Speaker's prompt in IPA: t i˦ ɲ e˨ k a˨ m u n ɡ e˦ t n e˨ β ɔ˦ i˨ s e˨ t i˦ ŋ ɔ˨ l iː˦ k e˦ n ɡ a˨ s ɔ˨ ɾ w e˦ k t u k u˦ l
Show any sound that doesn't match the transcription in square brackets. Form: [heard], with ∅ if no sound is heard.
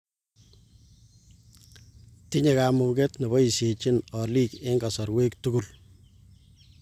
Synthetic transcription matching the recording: t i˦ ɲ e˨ k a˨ m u [ŋ] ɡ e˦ t n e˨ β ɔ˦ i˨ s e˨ [t͡ʃ] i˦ [n] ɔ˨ l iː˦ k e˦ [ŋ] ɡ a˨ s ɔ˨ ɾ w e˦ k t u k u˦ l